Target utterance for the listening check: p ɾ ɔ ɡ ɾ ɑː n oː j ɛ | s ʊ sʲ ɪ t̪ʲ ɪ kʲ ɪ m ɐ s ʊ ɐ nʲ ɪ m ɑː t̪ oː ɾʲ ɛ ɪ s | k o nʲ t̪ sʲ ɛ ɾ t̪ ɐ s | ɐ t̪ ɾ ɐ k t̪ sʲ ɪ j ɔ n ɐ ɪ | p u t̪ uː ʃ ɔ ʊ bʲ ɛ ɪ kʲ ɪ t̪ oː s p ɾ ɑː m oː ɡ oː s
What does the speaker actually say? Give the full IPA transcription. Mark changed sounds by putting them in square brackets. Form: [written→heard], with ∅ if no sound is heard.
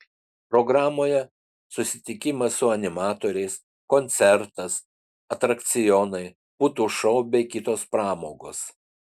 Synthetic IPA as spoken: p ɾ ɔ ɡ ɾ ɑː [n→m] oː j ɛ | s ʊ sʲ ɪ t̪ʲ ɪ kʲ ɪ m ɐ s ʊ ɐ nʲ ɪ m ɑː t̪ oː ɾʲ ɛ ɪ s | k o nʲ t̪ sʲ ɛ ɾ t̪ ɐ s | ɐ t̪ ɾ ɐ k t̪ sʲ ɪ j ɔ n ɐ ɪ | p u t̪ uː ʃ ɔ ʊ bʲ ɛ ɪ kʲ ɪ t̪ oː s p ɾ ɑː m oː ɡ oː s